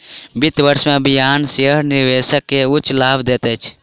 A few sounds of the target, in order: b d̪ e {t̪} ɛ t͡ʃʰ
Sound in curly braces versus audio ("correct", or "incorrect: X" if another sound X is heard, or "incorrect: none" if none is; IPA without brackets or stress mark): correct